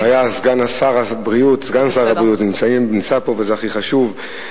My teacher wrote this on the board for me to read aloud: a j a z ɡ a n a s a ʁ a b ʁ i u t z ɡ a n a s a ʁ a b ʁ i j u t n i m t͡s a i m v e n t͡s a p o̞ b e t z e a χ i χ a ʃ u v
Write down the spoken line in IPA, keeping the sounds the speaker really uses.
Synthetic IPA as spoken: a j a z ɡ a n a s a ʁ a b ʁ i u t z ɡ a n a s a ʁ a b ʁ i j u t n i m t͡s a i m b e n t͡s a p o̞ v e z e a χ i χ a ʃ u v